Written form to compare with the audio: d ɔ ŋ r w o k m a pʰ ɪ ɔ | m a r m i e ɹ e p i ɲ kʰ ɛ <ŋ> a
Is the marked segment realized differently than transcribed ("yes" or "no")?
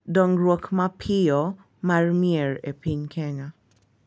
no